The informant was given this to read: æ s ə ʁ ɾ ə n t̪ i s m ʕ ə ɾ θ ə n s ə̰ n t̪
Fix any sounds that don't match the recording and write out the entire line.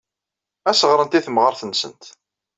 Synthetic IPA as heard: æ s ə ʁ ɾ ə n t̪ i θ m ʁ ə ɾ θ ə n s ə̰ n t̪

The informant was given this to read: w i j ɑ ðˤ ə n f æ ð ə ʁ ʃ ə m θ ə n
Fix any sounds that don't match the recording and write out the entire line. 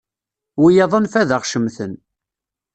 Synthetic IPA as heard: w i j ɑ ðˤ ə n f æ ð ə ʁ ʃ ə m θ ə n

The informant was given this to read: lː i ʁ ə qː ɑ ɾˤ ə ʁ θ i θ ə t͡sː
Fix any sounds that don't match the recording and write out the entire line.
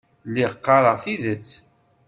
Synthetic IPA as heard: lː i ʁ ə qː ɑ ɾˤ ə ʁ θ i ð ə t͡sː

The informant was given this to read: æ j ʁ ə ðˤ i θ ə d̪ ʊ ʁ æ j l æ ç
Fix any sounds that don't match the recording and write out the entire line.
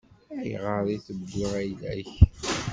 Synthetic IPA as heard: æ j ʁ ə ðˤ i θ ə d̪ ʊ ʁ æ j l æ ç

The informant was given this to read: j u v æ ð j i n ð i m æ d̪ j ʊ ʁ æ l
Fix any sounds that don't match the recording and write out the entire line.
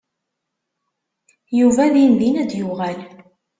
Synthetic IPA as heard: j u v æ ð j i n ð i n æ d̪ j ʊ ʁ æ l

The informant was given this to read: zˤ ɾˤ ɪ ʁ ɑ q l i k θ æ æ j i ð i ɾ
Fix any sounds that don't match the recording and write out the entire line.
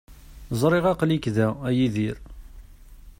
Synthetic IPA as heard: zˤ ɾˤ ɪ ʁ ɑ q l i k ð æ æ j i ð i ɾ

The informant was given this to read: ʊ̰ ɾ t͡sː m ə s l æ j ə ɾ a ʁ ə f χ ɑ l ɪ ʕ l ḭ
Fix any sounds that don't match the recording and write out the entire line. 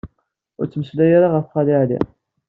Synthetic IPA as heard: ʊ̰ ɾ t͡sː m ə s l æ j a ɾ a ʁ ə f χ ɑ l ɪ ʕ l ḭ

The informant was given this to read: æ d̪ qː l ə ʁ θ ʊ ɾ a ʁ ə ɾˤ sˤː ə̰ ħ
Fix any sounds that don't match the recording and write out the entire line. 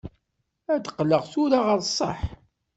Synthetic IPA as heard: æ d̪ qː l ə ʁ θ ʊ ɾ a ʁ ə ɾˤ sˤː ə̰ ħ

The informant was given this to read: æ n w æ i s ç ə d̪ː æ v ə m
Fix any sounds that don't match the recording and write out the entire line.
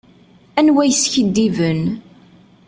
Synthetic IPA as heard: æ n w æ j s ç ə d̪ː i v ə n

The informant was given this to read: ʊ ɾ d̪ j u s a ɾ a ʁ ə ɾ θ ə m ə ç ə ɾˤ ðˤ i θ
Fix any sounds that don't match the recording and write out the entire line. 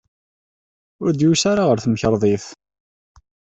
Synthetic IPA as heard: ʊ ɾ d̪ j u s a ɾ a ʁ ə ɾ θ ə m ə ç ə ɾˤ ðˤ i θ

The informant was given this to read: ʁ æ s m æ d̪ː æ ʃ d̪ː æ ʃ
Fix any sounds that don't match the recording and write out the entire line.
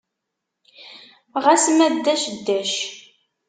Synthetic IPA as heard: ʁ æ s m æ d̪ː æ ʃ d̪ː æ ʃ

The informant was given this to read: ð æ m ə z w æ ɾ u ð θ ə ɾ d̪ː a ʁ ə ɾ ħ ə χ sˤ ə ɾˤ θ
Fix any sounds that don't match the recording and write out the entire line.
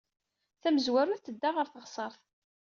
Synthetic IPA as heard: θ æ m ə z w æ ɾ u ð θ ə d̪ː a ʁ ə ɾ θ ə ʁ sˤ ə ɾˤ θ

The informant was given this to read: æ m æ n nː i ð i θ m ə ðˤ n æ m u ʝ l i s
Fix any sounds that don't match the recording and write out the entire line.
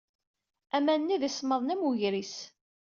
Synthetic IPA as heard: æ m æ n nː i ð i s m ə ðˤ n æ m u ʝ ɾ i s

